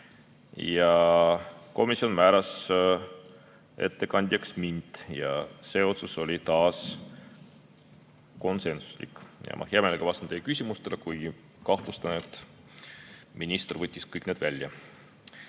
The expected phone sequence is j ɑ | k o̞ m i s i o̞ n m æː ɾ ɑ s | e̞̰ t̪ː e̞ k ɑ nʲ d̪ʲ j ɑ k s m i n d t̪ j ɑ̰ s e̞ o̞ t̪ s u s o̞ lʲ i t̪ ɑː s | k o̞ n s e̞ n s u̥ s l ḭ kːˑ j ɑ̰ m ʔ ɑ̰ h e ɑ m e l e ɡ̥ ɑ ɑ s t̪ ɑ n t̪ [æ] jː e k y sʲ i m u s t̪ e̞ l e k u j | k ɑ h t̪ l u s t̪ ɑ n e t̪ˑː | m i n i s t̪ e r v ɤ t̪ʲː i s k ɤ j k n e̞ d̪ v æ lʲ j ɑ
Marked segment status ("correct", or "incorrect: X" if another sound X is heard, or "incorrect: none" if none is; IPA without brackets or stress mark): incorrect: e